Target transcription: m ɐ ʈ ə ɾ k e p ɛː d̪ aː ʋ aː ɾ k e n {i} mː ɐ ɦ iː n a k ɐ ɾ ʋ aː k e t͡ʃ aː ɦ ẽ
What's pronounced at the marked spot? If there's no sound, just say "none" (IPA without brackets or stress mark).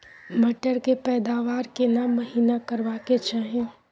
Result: a